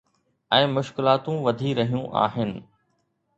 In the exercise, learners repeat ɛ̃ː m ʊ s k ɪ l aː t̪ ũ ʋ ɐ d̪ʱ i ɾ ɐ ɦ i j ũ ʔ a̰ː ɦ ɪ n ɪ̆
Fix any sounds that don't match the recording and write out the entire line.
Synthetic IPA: ɛ̃ː m ʊ ʃ k ɪ l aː t̪ ũ ʋ ɐ d̪ʱ i ɾ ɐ ɦ i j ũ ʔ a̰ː ɦ ɪ n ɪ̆